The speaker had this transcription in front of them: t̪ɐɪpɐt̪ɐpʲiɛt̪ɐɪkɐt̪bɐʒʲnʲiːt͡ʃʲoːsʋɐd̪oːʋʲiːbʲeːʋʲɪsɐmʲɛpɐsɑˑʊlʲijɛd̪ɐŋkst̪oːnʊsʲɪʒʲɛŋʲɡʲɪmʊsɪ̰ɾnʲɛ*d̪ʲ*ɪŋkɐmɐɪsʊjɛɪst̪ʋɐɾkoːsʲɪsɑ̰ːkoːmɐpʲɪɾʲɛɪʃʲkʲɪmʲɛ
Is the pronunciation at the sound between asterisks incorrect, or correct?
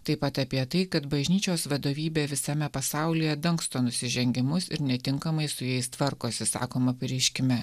incorrect: t̪ʲ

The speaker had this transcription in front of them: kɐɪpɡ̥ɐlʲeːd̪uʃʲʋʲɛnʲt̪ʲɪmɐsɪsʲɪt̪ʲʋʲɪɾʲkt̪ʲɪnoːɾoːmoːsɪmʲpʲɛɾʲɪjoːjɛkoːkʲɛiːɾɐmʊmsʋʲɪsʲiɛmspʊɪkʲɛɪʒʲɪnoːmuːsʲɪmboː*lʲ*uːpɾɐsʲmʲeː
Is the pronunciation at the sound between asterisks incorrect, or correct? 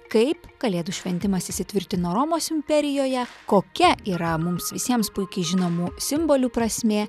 correct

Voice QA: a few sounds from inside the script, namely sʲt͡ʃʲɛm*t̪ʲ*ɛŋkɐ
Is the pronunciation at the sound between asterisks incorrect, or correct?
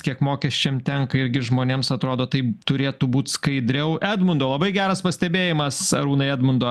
correct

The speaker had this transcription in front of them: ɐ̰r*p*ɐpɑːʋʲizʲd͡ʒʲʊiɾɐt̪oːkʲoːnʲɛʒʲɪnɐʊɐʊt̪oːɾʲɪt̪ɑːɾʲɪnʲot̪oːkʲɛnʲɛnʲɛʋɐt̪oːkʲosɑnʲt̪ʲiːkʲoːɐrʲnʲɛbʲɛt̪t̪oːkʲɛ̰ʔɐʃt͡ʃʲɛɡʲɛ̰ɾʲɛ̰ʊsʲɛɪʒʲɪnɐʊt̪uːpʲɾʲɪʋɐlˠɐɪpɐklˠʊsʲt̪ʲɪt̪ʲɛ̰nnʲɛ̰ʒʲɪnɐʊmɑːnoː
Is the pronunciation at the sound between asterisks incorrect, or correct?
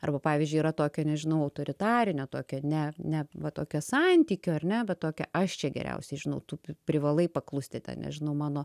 incorrect: b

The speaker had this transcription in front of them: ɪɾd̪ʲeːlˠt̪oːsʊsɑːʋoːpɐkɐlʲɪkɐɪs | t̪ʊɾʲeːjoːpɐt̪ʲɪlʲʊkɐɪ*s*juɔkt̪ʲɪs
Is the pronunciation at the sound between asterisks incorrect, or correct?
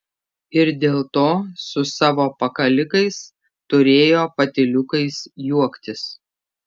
correct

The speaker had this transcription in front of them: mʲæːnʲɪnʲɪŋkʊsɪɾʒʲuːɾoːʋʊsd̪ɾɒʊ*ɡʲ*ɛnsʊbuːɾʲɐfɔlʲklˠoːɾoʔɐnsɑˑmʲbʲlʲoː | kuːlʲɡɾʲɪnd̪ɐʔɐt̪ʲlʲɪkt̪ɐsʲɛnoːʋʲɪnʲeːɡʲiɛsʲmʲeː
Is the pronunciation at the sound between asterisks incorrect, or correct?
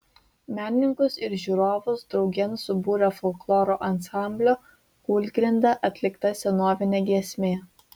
correct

